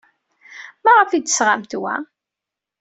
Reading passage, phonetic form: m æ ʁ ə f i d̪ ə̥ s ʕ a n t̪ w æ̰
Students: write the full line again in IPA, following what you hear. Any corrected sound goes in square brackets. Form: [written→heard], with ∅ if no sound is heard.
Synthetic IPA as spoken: m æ ʁ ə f i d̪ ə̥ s [ʕ→ʁ] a [n→m] t̪ w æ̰